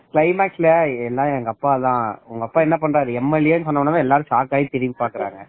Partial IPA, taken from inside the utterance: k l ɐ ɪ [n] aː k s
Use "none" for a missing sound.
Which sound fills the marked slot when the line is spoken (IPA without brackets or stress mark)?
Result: m